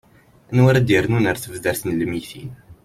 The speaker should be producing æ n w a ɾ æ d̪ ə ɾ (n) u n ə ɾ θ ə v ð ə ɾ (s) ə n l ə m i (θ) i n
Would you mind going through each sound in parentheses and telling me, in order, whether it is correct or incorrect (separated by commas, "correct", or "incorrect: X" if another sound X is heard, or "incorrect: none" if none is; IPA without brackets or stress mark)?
correct, incorrect: θ, correct